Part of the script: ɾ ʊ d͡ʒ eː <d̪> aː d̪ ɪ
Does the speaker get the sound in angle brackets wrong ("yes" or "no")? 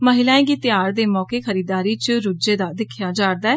no